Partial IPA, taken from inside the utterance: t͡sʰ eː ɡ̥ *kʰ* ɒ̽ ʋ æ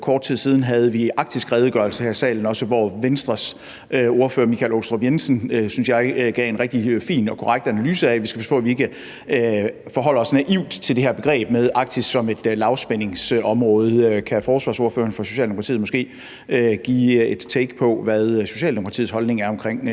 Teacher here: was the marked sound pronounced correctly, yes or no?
no